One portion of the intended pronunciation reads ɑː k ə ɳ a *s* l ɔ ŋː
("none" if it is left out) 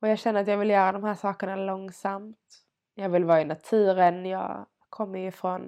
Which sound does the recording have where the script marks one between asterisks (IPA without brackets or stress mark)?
none